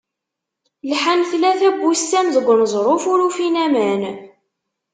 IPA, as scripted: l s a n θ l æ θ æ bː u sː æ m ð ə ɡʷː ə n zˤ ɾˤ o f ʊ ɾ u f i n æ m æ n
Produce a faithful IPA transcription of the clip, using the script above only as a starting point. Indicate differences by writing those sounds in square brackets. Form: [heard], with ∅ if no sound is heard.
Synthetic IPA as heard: l [ħ] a n θ l æ θ æ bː u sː æ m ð ə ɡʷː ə n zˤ ɾˤ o f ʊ ɾ u f i n æ m æ n